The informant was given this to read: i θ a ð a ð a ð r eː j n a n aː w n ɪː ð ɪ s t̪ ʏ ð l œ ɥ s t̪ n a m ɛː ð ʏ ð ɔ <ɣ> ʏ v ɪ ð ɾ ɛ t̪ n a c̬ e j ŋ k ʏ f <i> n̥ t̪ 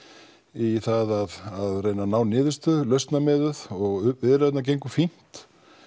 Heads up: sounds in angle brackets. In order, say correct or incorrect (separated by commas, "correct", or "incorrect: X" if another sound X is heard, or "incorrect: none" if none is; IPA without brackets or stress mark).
correct, correct